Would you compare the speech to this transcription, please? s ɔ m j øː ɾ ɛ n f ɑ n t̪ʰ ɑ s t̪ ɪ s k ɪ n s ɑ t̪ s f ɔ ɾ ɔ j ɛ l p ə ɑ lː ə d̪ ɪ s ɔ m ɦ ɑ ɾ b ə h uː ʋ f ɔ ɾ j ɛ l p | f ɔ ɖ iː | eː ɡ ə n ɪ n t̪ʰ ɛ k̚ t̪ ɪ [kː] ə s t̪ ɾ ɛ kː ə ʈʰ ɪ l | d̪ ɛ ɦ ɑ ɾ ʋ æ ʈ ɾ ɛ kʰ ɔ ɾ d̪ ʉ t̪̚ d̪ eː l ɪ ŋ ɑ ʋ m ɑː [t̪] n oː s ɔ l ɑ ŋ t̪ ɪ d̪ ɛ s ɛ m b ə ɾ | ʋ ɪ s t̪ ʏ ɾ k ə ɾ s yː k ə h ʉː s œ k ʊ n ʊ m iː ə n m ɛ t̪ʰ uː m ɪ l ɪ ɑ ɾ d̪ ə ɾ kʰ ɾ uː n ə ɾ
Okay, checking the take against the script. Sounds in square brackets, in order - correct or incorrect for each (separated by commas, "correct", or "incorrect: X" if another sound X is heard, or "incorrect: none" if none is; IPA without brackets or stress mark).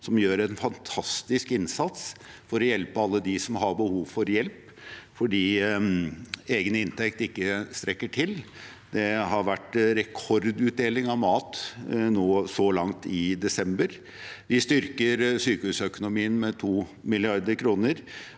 correct, correct